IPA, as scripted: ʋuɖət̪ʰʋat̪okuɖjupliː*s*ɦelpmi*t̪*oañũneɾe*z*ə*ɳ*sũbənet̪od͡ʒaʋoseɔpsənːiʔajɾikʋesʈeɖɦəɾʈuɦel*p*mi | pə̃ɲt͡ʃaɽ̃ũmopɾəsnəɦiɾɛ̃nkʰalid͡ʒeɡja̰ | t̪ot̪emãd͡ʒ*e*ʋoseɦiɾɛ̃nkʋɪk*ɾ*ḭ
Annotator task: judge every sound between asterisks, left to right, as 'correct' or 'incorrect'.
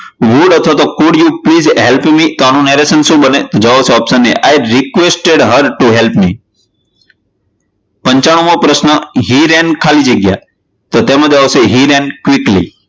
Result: incorrect, correct, incorrect, incorrect, correct, incorrect, incorrect

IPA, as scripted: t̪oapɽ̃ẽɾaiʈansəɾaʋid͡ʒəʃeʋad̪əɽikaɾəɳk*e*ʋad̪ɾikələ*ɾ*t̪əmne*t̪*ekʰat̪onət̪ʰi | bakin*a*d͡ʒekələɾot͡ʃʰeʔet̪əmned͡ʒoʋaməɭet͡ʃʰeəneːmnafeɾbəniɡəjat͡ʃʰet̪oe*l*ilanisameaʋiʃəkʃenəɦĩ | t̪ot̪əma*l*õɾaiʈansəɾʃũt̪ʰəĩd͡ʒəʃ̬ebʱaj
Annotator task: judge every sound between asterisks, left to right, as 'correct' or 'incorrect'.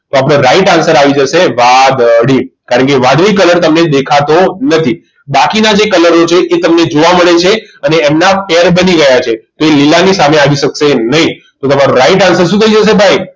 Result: correct, correct, incorrect, correct, correct, incorrect

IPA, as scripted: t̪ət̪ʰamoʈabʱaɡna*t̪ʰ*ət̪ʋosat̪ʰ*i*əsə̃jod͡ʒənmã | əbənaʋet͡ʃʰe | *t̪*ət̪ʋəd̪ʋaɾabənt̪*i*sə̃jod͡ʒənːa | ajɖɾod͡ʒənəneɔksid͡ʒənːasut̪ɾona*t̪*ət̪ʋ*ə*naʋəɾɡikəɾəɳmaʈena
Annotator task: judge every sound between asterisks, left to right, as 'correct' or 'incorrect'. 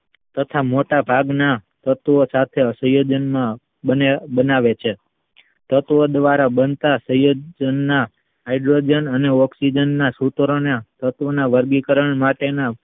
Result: incorrect, incorrect, correct, incorrect, correct, correct

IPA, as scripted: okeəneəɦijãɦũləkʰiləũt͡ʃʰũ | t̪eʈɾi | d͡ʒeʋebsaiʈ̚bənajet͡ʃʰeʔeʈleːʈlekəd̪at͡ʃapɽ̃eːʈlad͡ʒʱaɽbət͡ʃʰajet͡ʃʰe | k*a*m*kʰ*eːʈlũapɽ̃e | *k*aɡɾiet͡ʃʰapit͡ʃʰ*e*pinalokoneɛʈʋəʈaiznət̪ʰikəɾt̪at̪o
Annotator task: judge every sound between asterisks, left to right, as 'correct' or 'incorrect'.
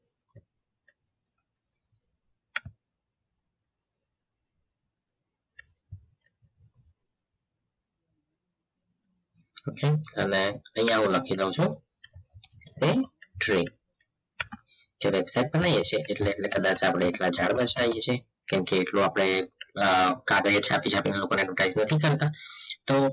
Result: incorrect, incorrect, correct, incorrect

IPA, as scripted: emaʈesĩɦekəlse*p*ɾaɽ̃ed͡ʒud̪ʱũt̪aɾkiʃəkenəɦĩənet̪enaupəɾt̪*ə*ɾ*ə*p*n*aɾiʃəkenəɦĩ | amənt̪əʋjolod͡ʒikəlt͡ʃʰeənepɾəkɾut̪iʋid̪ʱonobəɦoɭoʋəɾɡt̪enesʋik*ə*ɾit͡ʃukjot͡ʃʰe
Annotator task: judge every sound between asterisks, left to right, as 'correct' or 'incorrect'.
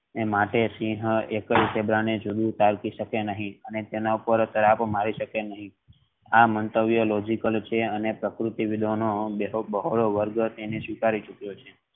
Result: incorrect, correct, incorrect, incorrect, incorrect

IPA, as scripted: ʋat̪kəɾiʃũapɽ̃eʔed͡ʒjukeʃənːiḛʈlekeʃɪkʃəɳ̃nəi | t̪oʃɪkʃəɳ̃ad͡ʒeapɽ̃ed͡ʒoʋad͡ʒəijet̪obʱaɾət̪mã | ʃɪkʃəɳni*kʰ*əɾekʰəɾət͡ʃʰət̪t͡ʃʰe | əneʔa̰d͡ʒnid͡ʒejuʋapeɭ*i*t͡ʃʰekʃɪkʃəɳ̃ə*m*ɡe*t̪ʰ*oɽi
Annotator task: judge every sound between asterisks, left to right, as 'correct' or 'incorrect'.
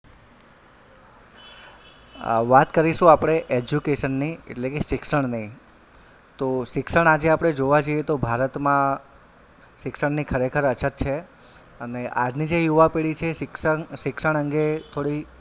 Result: correct, correct, incorrect, correct

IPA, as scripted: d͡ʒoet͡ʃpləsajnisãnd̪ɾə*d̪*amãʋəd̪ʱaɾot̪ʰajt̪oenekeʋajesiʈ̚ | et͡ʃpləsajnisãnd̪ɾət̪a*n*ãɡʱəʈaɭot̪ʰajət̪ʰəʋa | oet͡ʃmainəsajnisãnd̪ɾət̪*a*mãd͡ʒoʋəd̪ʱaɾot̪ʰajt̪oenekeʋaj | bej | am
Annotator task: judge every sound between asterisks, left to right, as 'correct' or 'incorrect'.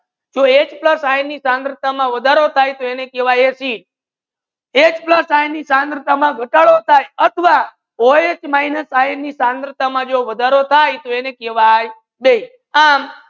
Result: incorrect, incorrect, correct

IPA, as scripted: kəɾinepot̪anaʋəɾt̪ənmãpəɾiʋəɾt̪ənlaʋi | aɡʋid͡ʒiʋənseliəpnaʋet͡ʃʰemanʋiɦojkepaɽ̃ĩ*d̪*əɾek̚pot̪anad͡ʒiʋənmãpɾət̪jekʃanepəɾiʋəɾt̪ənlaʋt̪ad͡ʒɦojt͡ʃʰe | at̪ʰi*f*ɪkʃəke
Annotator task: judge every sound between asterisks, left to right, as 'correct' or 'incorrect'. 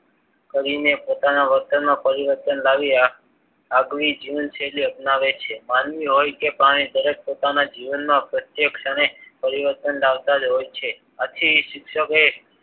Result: correct, incorrect

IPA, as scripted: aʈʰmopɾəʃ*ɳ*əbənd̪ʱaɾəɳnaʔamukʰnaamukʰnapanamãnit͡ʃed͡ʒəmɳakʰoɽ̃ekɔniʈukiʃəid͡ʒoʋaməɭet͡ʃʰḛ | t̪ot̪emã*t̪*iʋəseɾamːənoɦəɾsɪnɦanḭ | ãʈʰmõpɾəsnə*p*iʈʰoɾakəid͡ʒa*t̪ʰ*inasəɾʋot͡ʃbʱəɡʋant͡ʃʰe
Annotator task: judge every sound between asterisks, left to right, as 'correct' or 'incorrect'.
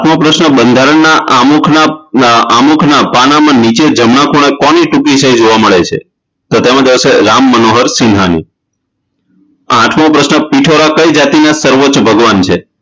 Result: incorrect, incorrect, correct, incorrect

